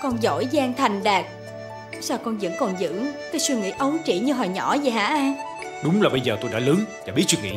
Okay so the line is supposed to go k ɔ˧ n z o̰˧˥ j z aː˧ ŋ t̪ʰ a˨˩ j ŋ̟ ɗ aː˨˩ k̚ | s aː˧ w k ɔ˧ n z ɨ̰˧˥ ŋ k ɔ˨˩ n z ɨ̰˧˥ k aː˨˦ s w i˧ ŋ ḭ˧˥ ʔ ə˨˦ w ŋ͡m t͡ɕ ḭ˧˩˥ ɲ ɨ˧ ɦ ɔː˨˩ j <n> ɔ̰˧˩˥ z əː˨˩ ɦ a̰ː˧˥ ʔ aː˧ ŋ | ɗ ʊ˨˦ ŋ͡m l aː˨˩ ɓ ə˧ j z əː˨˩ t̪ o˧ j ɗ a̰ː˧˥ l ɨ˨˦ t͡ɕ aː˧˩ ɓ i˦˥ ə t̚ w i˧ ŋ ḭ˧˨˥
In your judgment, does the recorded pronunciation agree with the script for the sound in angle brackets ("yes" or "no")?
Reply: no